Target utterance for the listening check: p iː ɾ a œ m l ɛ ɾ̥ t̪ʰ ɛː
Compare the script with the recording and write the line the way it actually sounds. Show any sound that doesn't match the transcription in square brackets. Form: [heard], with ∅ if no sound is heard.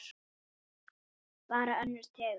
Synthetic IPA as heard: p [aː] ɾ a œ [n] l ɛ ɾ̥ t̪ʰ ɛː